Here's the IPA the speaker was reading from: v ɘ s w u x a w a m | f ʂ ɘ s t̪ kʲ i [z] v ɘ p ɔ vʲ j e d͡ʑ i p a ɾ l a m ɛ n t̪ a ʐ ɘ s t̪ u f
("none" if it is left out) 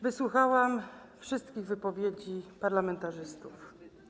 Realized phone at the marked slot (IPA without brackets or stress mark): ɣ